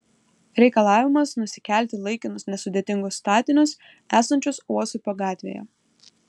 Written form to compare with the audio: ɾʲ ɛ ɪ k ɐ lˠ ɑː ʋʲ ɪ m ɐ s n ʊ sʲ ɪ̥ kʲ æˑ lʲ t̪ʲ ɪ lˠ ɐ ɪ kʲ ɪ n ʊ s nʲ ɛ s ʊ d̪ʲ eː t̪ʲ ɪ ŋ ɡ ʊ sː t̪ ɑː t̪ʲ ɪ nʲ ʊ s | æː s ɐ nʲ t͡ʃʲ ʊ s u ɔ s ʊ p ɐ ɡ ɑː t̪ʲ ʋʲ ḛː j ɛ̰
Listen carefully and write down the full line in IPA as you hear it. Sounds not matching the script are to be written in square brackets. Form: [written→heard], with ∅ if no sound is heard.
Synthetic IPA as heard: ɾʲ ɛ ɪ k ɐ lˠ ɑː ʋʲ ɪ m ɐ s n ʊ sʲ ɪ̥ kʲ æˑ lʲ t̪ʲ ɪ lˠ ɐ ɪ kʲ ɪ n ʊ s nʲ ɛ s ʊ d̪ʲ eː t̪ʲ ɪ ŋ ɡ ʊ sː t̪ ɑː t̪ʲ ɪ nʲ ʊ s | æː s ɐ nʲ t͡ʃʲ ʊ s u ɔ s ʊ p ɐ ɡ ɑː t̪ʲ ʋʲ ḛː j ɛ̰